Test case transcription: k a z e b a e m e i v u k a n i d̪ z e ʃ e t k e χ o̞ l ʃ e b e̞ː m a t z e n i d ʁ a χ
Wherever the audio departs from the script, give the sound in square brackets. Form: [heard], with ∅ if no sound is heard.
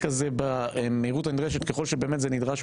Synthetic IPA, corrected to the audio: k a z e b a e m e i [ʁ] u [t] a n i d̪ [ʁ] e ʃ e t k e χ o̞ l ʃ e b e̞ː m [e] t z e n i d ʁ a [ʃ]

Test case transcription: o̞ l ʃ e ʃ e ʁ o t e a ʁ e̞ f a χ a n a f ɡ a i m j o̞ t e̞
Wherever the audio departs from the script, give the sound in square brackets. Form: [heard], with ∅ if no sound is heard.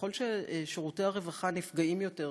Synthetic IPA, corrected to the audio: o̞ l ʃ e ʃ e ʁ [u] t e a ʁ e̞ [v] a χ a n [i] f ɡ a i m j o̞ t e̞

